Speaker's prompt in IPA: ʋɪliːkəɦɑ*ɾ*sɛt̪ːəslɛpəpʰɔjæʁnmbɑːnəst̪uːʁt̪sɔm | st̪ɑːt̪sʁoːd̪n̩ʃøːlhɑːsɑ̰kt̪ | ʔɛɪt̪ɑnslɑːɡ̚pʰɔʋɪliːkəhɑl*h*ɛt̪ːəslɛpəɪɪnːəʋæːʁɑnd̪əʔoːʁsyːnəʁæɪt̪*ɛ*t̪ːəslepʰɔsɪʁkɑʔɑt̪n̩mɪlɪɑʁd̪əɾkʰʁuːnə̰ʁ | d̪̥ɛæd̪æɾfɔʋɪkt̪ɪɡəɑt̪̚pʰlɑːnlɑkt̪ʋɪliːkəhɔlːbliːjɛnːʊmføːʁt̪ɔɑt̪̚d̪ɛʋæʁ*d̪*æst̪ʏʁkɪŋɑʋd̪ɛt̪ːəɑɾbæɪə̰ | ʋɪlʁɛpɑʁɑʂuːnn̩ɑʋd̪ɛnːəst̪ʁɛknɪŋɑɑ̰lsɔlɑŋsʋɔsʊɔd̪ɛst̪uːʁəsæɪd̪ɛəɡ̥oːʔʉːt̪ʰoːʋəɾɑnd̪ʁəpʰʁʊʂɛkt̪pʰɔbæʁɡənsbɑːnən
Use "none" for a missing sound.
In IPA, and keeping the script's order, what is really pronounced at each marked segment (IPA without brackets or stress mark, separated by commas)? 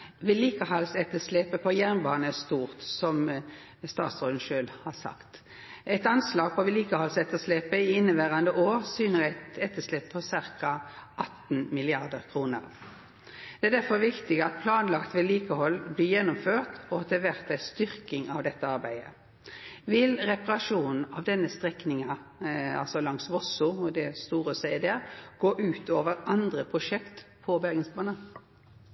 l, s, ɛ, t̪